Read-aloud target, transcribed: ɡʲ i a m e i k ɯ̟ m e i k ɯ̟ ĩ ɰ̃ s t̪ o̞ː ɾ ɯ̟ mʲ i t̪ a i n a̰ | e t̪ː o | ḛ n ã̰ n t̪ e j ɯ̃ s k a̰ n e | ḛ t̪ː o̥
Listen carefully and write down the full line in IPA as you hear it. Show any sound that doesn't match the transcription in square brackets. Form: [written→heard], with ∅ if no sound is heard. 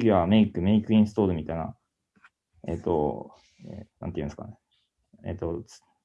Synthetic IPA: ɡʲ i a m e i k ɯ̟ m e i k ɯ̟ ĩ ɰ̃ s t̪ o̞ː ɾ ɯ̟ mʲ i t̪ a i n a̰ | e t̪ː o | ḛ n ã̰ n t̪ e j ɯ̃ s k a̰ n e | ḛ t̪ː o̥